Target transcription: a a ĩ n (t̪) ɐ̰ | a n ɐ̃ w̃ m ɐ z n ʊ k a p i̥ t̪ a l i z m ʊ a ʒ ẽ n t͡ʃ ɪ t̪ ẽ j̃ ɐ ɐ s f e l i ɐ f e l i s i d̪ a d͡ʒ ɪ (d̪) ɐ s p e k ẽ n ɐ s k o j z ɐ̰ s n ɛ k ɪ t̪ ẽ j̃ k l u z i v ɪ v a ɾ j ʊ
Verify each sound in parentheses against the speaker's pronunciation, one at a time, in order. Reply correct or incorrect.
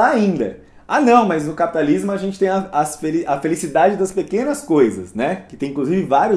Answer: incorrect, correct

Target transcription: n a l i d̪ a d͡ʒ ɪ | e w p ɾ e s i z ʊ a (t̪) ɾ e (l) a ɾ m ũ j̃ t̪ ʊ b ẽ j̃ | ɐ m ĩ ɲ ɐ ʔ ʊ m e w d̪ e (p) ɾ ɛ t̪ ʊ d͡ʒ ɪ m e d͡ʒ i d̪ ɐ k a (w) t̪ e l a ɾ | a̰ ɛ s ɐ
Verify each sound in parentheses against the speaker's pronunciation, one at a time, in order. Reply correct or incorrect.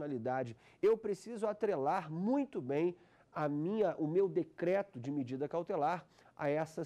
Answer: correct, correct, incorrect, correct

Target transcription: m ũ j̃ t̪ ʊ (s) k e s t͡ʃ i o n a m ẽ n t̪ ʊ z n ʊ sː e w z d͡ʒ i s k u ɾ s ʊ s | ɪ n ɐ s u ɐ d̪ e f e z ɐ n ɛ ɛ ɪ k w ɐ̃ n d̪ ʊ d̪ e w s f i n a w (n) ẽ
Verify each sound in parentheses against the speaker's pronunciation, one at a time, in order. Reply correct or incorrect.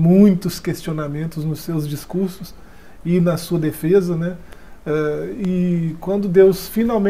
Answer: correct, incorrect

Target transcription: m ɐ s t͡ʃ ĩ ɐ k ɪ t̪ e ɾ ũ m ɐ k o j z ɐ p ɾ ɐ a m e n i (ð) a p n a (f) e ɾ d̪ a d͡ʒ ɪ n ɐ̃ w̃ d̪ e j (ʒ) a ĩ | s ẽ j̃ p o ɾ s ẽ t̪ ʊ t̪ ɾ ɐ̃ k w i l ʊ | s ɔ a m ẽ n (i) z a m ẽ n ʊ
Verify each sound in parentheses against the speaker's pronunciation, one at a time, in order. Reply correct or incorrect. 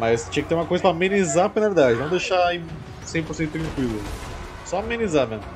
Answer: incorrect, incorrect, incorrect, correct

